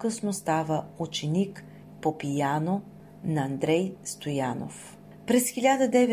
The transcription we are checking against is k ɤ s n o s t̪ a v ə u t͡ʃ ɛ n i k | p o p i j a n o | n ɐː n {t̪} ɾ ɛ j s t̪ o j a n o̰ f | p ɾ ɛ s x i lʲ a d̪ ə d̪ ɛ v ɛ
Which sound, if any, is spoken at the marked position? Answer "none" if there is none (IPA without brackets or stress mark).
d̪